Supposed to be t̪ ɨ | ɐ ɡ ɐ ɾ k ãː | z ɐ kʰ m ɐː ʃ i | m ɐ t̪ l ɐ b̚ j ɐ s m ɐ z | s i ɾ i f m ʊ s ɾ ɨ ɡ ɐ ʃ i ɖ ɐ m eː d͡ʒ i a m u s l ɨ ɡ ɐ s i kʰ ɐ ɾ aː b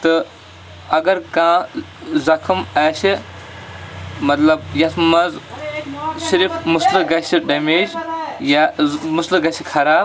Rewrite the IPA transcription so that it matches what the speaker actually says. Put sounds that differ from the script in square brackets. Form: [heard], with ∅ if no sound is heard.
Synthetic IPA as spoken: t̪ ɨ | ɐ ɡ ɐ ɾ k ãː | z ɐ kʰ m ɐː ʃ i | m ɐ t̪ l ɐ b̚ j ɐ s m ɐ z | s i ɾ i f m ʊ s [l] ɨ ɡ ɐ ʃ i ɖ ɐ m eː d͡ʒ [j] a m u s l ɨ ɡ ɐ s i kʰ ɐ ɾ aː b